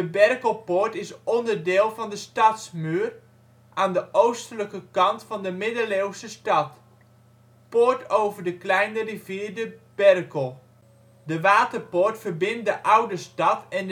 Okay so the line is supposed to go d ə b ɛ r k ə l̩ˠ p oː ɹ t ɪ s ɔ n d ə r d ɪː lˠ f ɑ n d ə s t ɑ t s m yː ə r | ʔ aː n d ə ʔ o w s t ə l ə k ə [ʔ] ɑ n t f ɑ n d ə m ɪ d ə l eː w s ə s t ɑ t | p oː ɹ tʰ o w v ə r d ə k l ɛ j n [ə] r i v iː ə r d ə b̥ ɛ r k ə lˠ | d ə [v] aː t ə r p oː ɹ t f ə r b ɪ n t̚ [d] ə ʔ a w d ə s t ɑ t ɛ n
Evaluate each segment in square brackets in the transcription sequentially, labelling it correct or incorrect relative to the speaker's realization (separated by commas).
incorrect, correct, incorrect, correct